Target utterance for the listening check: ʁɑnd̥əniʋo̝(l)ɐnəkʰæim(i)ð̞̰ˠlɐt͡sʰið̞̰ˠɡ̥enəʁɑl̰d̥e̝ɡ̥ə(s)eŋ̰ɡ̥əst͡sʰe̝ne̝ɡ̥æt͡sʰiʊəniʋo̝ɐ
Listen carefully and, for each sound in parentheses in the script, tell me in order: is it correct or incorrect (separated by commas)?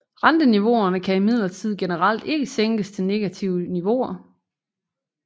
incorrect, correct, correct